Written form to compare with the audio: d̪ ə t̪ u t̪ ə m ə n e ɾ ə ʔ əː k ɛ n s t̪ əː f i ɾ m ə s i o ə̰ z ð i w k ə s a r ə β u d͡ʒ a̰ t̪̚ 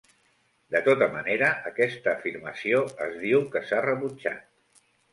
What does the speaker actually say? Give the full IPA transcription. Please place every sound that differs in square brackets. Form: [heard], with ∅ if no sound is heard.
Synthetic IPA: d̪ ə t̪ [o] t̪ ə m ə n e ɾ ə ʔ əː k ɛ [∅] s t̪ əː f i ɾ m ə s i o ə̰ z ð i w k ə s a r ə β u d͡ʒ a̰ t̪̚